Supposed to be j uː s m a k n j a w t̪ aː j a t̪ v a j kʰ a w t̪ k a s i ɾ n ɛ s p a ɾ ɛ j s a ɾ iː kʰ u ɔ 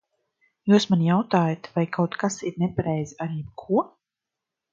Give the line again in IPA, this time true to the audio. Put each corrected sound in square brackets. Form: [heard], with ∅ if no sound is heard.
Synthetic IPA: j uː s m a [∅] n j a w t̪ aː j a t̪ v a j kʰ a w t̪ k a s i ɾ n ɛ [∅] p a ɾ ɛ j [z] a ɾ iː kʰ u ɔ